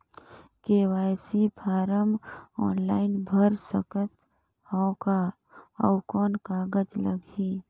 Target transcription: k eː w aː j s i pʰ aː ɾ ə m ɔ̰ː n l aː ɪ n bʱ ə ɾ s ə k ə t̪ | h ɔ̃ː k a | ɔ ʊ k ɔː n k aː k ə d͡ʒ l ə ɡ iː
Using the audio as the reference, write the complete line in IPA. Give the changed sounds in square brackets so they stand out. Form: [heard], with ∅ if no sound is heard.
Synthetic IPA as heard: k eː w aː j s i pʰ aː ɾ ə m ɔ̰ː n l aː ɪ n bʱ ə ɾ s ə k ə t̪ | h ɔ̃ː k a | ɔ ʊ k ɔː n k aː [ɡ] ə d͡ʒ l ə ɡ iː